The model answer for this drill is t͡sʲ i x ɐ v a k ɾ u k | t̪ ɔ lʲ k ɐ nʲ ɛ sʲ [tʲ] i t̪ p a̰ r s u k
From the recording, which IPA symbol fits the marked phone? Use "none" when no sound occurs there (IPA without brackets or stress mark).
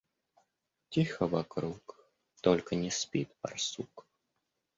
pʲ